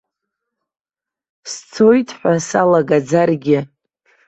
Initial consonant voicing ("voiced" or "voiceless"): voiceless